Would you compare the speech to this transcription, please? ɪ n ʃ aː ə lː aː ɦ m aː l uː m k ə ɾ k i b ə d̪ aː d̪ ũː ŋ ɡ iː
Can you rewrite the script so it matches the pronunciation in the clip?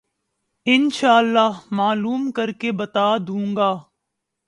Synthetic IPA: ɪ n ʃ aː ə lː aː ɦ m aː l uː m k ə ɾ k e b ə t̪ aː d̪ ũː ŋ ɡ aː